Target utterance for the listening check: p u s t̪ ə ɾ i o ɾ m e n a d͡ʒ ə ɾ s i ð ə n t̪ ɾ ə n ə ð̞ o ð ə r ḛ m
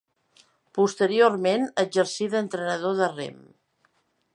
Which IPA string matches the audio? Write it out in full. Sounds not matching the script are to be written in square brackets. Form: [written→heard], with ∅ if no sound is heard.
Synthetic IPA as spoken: p u s t̪ ə ɾ i o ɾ m e n [a→ə] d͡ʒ ə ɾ s i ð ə n t̪ ɾ ə n ə ð̞ o ð ə r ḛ m